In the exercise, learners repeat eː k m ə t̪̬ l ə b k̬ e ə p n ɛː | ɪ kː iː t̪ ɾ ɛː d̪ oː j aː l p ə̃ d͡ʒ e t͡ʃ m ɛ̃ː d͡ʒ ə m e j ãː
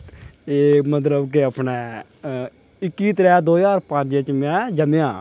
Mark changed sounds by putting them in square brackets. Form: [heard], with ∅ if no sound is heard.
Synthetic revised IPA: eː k m ə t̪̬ l ə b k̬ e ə p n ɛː | ɪ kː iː t̪ ɾ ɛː d̪ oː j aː [ɾ] p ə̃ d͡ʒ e t͡ʃ m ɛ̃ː d͡ʒ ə m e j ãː